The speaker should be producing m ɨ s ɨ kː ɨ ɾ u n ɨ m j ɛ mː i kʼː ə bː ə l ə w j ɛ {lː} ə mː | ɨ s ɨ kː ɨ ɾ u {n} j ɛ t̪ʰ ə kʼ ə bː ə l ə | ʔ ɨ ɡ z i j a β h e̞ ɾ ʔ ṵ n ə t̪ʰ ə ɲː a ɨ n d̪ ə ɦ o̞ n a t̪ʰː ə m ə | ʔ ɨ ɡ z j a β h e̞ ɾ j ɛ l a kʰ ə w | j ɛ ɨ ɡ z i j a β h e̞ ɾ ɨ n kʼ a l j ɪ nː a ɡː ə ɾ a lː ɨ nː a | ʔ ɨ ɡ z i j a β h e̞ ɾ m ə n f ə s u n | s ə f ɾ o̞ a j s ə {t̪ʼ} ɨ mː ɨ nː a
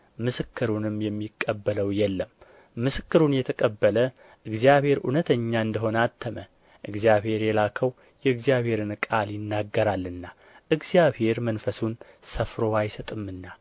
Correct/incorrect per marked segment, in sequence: correct, correct, correct

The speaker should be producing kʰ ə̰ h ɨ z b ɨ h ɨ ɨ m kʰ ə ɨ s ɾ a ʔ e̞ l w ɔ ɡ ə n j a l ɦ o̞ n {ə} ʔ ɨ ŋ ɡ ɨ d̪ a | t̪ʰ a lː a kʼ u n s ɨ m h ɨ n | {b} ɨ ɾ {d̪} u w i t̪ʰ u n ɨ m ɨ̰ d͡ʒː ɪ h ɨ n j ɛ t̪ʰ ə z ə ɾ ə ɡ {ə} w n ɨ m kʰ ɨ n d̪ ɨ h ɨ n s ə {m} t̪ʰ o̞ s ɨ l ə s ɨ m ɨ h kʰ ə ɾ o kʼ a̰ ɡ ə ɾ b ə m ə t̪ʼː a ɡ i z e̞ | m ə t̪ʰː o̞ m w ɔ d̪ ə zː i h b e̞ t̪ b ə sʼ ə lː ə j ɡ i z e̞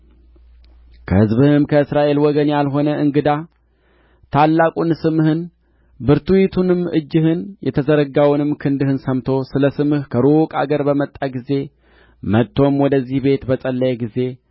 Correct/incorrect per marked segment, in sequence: correct, correct, incorrect, incorrect, correct

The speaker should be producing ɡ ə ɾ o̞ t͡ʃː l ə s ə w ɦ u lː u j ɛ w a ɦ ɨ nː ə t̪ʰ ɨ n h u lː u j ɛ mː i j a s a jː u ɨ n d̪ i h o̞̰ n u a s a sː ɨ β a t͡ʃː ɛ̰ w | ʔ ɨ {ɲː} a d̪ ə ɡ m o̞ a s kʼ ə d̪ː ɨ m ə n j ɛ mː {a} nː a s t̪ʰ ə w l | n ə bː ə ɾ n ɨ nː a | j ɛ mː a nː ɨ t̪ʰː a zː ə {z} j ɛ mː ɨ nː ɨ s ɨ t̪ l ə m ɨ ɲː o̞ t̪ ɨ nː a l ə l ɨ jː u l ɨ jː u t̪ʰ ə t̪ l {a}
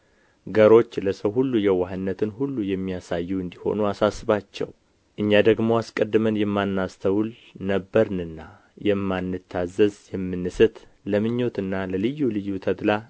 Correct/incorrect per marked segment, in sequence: correct, correct, correct, correct

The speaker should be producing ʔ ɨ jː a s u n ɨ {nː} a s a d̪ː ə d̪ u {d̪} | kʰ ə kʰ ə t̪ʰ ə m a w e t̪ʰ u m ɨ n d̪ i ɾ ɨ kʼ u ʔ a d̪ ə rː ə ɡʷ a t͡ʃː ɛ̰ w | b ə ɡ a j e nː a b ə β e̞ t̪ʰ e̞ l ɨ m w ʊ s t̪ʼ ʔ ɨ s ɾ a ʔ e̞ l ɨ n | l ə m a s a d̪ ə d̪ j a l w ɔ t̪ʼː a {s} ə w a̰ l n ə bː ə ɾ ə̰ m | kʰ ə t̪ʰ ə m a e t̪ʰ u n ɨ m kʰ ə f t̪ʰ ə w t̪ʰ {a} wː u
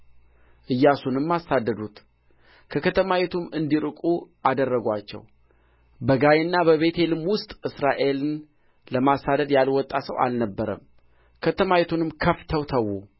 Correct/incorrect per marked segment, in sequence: incorrect, incorrect, correct, incorrect

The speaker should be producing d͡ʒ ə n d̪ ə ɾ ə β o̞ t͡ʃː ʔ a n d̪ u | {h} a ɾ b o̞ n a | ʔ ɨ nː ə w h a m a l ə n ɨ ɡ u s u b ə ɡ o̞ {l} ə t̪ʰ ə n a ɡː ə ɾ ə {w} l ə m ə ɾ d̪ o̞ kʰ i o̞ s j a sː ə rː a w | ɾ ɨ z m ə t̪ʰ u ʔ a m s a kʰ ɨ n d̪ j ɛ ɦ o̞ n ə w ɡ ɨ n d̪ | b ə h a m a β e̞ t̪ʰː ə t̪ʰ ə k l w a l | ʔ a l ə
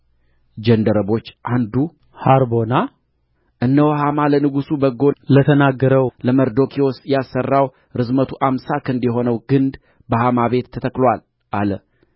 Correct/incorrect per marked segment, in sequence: correct, correct, correct

